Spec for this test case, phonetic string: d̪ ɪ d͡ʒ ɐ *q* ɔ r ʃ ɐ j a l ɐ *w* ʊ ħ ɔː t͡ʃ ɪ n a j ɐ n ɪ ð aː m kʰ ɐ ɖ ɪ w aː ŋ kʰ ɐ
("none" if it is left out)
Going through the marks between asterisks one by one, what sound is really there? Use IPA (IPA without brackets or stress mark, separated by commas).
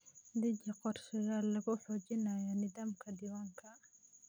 q, ɣ